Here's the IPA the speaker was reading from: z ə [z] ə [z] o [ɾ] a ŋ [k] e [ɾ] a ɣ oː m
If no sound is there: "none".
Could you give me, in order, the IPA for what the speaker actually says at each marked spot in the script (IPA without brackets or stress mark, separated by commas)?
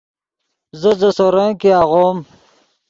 z, s, ɾ, k, none